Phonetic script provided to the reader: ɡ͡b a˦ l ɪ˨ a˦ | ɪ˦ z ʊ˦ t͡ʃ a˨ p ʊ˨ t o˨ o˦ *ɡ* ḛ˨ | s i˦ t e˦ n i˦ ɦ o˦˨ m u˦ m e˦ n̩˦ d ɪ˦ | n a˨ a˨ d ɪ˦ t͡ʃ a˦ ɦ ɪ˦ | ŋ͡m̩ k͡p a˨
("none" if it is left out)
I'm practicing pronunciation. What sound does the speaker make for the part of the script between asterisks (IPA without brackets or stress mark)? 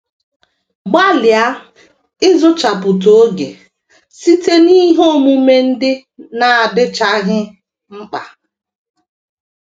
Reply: ɡ